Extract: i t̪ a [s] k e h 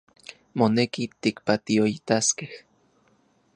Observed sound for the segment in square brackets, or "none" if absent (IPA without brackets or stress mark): s